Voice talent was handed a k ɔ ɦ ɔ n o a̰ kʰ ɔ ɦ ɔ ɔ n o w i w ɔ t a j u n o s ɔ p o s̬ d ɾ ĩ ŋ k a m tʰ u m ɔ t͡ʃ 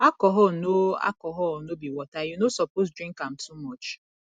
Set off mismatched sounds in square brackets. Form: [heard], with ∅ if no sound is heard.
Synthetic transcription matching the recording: a k ɔ ɦ ɔ n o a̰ [k] ɔ ɦ ɔ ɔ n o [b] i w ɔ t a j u n o s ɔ p o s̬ d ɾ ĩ ŋ k a m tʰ u m ɔ t͡ʃ

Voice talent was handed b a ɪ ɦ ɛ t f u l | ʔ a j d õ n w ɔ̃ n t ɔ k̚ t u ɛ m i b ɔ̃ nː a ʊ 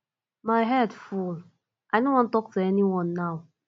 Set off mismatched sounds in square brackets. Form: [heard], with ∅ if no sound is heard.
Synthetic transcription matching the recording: [m] a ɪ ɦ ɛ [d] f u l | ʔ a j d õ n w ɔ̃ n t ɔ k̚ t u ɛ [n] i [w] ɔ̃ nː a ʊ

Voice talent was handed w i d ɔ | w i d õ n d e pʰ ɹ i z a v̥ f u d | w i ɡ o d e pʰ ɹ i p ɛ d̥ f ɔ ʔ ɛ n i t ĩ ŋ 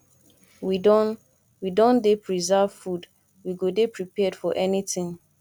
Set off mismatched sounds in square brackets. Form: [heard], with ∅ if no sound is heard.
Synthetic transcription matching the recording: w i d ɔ | w i d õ n d e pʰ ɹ i z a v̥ f u d | w i ɡ o d e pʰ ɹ i p ɛ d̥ f ɔ ʔ ɛ n i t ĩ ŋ

